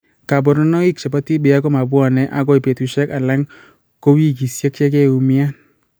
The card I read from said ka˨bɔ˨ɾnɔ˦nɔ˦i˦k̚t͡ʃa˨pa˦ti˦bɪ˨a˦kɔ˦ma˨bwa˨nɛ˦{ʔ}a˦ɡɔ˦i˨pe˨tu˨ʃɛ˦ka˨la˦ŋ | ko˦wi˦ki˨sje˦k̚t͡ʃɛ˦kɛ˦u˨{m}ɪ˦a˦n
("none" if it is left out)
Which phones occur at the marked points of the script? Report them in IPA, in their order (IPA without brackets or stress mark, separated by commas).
ʔ, m